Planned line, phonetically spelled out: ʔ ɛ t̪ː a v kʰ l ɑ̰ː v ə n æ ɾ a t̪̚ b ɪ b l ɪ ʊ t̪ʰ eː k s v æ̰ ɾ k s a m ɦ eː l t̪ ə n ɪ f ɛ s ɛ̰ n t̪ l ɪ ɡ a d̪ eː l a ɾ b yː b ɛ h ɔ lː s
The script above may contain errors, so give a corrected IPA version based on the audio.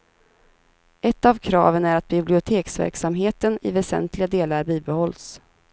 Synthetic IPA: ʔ ɛ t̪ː a v kʰ ɾ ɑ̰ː v ə n æ ɾ a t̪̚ b ɪ b l ɪ ʊ t̪ʰ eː k s v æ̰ ɾ k s a m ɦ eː t̪ ə n ɪ v ɛ s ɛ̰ n t̪ l ɪ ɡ a d̪ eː l a ɾ b iː b ɛ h ɔ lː s